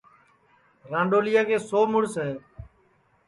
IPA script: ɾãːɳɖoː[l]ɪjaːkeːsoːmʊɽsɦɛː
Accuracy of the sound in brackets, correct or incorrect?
correct